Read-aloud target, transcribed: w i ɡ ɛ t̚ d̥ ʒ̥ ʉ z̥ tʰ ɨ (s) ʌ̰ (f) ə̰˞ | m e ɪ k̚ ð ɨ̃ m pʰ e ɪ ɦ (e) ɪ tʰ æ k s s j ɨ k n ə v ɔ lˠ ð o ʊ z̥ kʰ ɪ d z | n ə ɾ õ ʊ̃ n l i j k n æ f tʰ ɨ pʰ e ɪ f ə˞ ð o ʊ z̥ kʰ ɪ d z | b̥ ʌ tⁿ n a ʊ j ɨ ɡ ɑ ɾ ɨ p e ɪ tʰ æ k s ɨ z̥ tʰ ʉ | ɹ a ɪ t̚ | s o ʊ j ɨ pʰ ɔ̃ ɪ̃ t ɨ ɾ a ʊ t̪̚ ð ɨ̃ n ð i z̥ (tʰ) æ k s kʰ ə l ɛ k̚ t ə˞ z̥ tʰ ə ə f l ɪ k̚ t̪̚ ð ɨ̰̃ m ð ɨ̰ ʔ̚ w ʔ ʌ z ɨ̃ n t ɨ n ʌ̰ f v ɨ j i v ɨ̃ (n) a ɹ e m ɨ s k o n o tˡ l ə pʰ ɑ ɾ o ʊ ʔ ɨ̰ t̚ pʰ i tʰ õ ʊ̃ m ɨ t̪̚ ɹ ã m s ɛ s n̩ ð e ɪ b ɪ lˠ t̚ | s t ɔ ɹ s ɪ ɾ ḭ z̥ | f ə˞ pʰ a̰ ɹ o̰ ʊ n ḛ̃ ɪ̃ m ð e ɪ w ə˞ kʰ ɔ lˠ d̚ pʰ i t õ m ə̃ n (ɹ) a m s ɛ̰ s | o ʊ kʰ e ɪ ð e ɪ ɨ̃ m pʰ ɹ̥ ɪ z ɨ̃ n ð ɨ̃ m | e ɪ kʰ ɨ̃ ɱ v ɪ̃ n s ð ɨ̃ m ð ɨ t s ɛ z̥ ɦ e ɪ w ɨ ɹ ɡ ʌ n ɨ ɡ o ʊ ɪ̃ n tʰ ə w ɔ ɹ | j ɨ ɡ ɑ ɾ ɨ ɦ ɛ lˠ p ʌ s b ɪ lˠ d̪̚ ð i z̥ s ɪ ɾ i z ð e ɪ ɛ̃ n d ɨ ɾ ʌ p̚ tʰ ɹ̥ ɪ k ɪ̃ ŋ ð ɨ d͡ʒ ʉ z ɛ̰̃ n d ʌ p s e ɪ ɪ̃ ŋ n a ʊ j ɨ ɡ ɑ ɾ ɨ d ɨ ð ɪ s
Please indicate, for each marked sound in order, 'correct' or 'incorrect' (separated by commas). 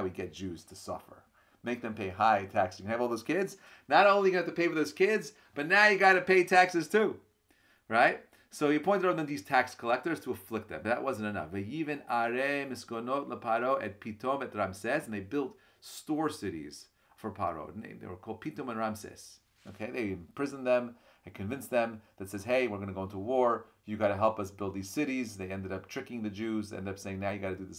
correct, correct, incorrect, correct, correct, correct